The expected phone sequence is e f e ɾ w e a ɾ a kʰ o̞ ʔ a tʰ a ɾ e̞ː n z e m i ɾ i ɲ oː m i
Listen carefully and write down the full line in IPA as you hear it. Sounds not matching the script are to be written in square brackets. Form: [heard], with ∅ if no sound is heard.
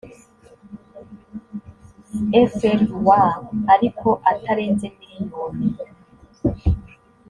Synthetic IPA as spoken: e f e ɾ w [a] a ɾ [i] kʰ o̞ ʔ a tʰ a ɾ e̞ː n z e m i ɾ i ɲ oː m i